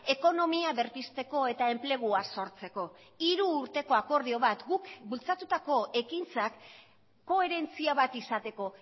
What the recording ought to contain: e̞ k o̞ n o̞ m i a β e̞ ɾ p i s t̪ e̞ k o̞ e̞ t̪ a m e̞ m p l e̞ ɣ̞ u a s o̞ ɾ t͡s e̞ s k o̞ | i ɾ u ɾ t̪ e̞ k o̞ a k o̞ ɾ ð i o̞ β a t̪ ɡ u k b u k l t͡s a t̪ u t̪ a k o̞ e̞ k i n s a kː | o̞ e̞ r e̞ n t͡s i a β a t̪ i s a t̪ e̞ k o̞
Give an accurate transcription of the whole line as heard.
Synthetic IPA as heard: e̞ k o̞ n o̞ m i a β e̞ ɾ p i s t̪ e̞ k o̞ e̞ t̪ a e̞ m p l e̞ ɣ̞ u a s o̞ ɾ t͡s e̞ k o̞ | i ɾ uː ɾ t̪ e̞ k o̞ a k o̞ ɾ ð i o̞ β a t̪ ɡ u k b u l t͡s a t̪ u t̪ a k o̞ e̞ k i n t͡s a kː | o̞ e̞ ɾ e̞ n t͡s i a β a t̪ i s a t̪ e̞ k o̞

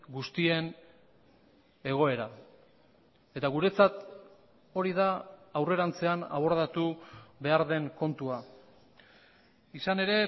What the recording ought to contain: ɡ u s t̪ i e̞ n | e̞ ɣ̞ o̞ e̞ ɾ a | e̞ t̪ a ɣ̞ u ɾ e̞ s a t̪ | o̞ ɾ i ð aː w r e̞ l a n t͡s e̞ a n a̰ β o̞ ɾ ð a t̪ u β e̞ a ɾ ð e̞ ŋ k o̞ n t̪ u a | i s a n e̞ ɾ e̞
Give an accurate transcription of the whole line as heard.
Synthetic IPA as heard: ɡ u s t̪ i e̞ n | e̞ ɣ̞ o̞ e̞ ɾ a | e̞ t̪ a ɣ̞ u ɾ e̞ t͡s a t̪ | o̞ ɾ i ð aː w r e̞ ɾ a n t͡s e̞ a n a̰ β o̞ ɾ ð a t̪ u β e̞ a ɾ ð e̞ ŋ k o̞ n t̪ u a | i s a n e̞ ɾ e̞

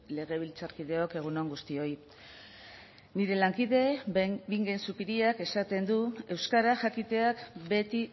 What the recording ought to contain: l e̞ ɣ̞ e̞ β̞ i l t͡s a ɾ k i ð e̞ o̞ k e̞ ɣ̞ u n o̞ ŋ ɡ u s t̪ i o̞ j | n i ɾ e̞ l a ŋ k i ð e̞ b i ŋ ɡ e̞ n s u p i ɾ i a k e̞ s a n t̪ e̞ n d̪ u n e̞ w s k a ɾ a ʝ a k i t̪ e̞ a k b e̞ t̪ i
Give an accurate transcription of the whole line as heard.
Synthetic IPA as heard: l e̞ ɣ̞ e̞ β̞ i l t͡s a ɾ k i ð e̞ o̞ k e̞ ɣ̞ u n o̞ ŋ ɡ u s t̪ i o̞ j | n i ɾ e̞ l a ŋ k i ð e̞ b i ŋ ɡ e̞ n s u p i ɾ i a k e̞ s a t̪ e̞ n d̪ u e̞ w s k a ɾ a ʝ a k i t̪ e̞ a k b e̞ t̪ i

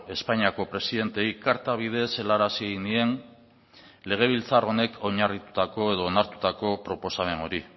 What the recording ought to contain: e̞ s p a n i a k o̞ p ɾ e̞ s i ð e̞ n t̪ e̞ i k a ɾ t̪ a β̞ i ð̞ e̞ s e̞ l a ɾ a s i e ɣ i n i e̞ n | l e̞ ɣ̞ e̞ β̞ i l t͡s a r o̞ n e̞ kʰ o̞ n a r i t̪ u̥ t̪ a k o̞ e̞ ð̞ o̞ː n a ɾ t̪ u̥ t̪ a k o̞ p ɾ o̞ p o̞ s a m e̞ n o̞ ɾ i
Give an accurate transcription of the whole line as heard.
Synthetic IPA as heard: e̞ s p a ɲ i a k o̞ p ɾ e̞ s i ð e̞ n t̪ e̞ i k a ɾ t̪ a β̞ i ð̞ e̞ s e̞ l a ɾ a s i e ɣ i n i e̞ n | l e̞ ɣ̞ e̞ β̞ i l t͡s a r o̞ n e̞ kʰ o̞ ɲ a r i t̪ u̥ t̪ a k o̞ e̞ ð̞ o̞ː n a ɾ t̪ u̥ t̪ a k o̞ p ɾ o̞ p o̞ s a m e̞ n o̞ ɾ i

